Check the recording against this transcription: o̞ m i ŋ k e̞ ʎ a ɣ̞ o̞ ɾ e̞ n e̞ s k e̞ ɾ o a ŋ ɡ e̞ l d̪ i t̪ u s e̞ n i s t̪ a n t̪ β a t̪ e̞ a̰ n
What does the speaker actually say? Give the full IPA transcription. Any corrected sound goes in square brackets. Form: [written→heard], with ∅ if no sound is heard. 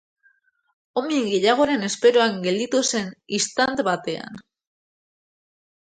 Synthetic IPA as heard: o̞ m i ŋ [k→ɡ] e̞ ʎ a ɣ̞ o̞ ɾ e̞ n e̞ s [k→p] e̞ ɾ o a ŋ ɡ e̞ l d̪ i t̪ u s e̞ n i s t̪ a n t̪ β a t̪ e̞ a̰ n